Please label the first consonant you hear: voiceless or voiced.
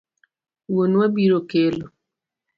voiced